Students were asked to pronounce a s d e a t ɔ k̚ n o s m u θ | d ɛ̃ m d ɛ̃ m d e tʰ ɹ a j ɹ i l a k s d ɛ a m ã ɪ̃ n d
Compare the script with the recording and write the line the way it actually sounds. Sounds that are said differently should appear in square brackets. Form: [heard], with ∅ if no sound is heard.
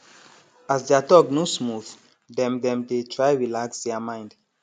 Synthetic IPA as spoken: a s d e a t ɔ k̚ n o s m u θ | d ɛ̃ m d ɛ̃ m d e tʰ ɹ a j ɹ i l a k s d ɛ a m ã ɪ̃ n d